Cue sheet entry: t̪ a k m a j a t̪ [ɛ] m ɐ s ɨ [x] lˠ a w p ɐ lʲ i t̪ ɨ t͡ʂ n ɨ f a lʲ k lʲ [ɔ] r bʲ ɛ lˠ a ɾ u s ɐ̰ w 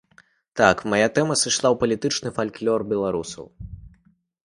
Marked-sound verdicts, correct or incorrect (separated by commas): correct, incorrect, correct